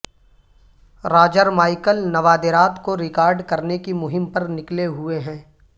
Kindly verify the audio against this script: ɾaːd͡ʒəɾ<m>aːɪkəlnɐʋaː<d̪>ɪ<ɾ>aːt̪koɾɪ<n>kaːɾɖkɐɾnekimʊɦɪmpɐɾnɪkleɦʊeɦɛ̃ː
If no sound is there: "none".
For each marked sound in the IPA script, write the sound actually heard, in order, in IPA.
m, d̪, ɾ, none

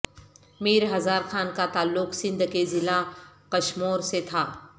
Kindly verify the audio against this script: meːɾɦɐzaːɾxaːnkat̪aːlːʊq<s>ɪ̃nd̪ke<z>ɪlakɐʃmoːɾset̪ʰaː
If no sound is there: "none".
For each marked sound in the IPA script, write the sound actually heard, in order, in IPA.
s, z

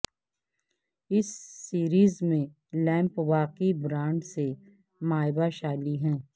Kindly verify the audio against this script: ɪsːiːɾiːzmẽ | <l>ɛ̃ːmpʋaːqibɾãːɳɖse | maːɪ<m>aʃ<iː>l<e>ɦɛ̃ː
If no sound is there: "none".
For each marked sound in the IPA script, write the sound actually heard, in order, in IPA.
l, b, aː, i

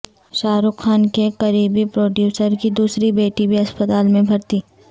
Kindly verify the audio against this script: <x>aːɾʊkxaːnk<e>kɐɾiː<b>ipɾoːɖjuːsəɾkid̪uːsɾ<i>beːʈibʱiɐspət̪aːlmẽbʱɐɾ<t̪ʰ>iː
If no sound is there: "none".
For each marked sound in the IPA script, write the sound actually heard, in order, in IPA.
ʃ, e, b, i, t̪

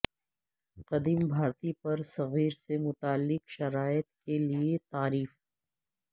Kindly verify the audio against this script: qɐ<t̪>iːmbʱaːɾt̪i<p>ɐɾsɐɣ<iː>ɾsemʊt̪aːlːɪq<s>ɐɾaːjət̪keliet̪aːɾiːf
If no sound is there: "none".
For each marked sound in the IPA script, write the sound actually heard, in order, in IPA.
d̪, p, iː, ʃ

